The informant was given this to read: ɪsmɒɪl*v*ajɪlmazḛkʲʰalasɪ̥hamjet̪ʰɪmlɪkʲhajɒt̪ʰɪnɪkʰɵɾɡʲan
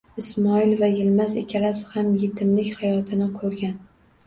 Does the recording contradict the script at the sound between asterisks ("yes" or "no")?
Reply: no